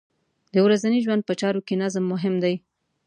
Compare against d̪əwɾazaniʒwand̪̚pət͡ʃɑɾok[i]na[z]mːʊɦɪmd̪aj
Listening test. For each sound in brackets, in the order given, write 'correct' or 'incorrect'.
incorrect, correct

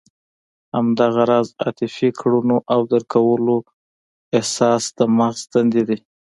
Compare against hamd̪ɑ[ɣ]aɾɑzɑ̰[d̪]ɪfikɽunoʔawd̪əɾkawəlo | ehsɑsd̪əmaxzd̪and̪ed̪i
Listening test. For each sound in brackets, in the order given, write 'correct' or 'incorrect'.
correct, incorrect

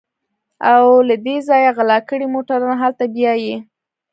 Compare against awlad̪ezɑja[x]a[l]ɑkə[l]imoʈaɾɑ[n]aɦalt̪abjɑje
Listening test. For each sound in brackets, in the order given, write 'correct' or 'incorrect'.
incorrect, correct, incorrect, correct

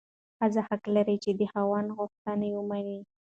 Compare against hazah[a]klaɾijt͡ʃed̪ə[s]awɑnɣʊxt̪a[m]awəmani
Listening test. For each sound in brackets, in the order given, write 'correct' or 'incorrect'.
correct, incorrect, incorrect

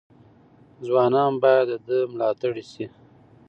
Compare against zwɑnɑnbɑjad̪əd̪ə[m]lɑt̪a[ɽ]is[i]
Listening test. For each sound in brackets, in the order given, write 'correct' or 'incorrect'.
correct, correct, correct

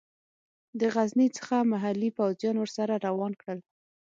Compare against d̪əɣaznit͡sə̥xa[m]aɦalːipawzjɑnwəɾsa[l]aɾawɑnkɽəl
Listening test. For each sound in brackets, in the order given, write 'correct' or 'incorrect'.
correct, incorrect

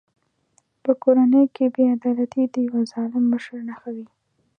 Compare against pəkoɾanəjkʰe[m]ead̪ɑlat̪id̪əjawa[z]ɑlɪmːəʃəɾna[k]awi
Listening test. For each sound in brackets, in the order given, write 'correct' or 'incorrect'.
incorrect, correct, incorrect

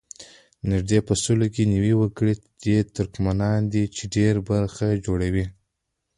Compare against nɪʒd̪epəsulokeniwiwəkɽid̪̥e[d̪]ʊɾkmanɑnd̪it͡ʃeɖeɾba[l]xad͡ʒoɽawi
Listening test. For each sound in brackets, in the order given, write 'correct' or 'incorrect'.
incorrect, incorrect

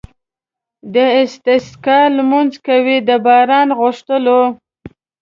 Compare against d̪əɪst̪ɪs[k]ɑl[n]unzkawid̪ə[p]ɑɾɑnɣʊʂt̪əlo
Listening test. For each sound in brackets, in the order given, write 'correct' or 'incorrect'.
correct, incorrect, incorrect

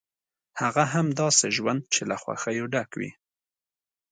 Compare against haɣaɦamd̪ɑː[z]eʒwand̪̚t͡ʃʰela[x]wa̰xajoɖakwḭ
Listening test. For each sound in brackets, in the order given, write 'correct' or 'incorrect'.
incorrect, correct

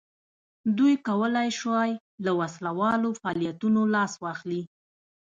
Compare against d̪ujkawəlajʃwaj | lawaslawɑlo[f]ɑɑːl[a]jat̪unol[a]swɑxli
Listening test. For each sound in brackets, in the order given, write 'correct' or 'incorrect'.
correct, incorrect, incorrect

